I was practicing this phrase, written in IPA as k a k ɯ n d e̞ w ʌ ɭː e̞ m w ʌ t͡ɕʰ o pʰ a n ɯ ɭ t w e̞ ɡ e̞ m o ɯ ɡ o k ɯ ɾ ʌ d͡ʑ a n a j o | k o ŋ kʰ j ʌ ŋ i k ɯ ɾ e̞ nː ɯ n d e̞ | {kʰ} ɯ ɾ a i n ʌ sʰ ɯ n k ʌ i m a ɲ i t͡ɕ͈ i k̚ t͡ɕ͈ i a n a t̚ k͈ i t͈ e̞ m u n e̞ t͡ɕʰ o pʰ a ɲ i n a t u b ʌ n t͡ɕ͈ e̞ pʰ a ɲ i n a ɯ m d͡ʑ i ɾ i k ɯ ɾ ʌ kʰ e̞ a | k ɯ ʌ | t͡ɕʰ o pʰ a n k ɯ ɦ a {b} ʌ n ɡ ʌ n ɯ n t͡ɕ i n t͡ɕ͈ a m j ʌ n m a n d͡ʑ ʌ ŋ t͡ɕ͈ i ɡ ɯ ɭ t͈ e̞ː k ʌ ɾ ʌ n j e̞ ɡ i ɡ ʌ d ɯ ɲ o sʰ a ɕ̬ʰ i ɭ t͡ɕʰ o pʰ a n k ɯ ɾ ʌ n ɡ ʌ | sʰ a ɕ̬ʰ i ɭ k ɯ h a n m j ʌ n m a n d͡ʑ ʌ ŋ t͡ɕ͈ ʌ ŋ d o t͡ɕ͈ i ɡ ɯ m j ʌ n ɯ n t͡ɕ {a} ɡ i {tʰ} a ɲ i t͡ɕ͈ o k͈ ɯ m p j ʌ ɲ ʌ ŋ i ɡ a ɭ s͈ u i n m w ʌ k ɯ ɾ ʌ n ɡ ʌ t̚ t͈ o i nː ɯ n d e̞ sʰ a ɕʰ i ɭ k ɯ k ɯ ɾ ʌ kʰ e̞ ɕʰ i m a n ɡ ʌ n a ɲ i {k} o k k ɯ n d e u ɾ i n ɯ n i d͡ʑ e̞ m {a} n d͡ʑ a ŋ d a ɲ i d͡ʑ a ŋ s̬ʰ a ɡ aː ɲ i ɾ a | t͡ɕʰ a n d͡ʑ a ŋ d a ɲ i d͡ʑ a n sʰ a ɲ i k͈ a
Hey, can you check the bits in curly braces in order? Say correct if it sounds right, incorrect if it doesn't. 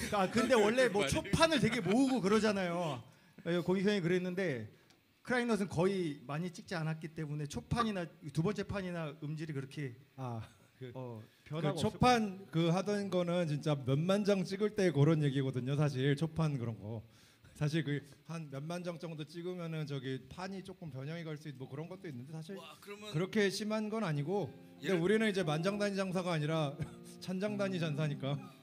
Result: correct, incorrect: d, incorrect: ʌ, incorrect: pʰ, incorrect: ɡ, correct

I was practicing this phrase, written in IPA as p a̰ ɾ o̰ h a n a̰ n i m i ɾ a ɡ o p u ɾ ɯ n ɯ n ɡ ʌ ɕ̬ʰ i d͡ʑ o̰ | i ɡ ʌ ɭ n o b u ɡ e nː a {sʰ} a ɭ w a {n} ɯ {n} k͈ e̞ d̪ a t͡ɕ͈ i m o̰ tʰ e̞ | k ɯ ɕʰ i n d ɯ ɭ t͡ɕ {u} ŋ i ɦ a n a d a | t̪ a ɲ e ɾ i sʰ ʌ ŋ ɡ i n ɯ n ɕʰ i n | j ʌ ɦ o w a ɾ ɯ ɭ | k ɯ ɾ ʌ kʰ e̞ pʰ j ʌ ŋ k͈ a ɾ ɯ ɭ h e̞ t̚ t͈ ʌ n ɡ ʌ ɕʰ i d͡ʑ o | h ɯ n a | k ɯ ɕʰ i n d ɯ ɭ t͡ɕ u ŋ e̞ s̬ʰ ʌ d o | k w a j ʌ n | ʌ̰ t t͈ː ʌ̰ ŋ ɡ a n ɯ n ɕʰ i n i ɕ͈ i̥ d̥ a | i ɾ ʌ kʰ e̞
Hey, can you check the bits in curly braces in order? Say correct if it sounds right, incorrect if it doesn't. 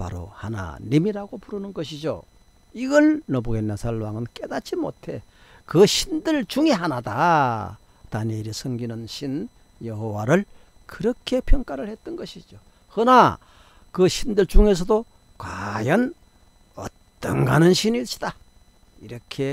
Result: correct, incorrect: ŋ, correct, correct

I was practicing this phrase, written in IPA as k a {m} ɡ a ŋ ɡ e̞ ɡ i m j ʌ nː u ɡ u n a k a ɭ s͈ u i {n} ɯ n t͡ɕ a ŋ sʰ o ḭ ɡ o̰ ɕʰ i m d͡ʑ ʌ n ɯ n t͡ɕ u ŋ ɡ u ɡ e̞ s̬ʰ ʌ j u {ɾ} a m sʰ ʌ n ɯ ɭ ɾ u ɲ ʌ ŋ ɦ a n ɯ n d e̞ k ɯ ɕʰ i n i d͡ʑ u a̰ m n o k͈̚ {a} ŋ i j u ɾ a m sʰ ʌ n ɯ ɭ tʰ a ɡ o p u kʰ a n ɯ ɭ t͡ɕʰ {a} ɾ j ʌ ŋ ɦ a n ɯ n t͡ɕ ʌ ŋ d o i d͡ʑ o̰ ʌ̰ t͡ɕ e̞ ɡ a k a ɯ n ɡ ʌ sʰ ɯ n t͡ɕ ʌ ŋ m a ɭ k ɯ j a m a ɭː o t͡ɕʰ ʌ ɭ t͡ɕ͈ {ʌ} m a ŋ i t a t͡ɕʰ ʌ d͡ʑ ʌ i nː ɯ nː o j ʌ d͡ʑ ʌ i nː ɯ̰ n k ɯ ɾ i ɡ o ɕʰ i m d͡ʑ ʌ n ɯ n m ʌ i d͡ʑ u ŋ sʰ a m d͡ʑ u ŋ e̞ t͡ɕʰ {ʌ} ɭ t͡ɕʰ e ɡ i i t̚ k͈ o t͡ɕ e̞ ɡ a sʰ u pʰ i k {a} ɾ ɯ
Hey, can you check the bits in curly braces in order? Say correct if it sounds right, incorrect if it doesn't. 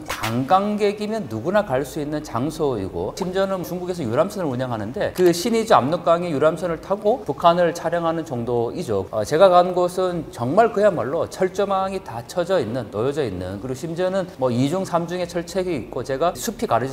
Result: incorrect: ŋ, incorrect: nː, correct, correct, correct, correct, correct, correct

